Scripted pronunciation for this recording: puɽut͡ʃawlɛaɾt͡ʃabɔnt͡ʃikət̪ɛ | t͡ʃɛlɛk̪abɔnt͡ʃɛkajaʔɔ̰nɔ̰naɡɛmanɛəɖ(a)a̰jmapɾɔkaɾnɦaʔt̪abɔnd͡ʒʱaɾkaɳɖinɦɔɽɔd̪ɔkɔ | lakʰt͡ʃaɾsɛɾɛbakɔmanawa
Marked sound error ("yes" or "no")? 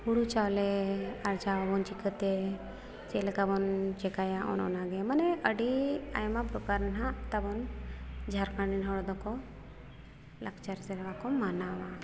yes